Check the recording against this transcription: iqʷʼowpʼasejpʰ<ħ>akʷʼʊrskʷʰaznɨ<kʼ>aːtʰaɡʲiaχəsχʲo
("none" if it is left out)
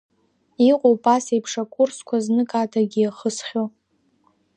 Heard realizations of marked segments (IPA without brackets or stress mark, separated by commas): ʂ, kʼ